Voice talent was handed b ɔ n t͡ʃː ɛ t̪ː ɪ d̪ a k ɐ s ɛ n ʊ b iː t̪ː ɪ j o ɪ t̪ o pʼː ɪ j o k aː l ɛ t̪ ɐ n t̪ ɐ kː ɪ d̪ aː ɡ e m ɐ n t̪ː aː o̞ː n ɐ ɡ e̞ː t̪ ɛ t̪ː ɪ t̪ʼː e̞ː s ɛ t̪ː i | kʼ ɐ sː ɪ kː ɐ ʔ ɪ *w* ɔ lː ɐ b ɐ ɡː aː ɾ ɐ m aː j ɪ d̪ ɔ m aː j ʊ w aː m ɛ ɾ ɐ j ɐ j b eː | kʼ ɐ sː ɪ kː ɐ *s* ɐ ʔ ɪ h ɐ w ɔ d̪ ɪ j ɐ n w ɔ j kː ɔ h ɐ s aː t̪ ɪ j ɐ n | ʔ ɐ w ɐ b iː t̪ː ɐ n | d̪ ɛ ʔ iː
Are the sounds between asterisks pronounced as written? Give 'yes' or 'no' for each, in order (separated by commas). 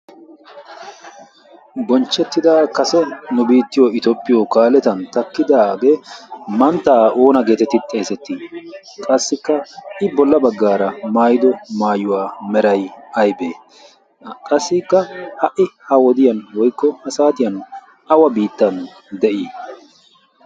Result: no, no